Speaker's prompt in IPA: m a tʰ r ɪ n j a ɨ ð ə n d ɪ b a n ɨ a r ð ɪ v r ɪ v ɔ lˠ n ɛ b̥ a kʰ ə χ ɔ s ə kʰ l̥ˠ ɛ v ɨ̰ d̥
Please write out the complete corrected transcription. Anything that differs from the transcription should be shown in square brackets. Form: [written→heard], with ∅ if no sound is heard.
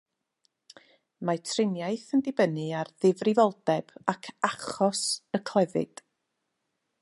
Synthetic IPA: m a tʰ r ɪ n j a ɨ [ð→θ] ə n d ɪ b [a→ə] n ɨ a r ð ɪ v r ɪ v ɔ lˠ [n→d] ɛ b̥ a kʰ [ə→a] χ ɔ s ə kʰ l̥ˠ ɛ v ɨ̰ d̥